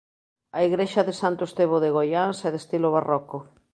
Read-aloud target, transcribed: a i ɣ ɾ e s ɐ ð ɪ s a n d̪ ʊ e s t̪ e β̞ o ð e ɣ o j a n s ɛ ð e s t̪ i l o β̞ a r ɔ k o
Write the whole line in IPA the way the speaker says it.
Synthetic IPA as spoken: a i ɣ ɾ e ʃ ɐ ð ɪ s a n t̪ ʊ e s t̪ e β̞ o ð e ɣ o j a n s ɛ ð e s t̪ i l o β̞ a r ɔ k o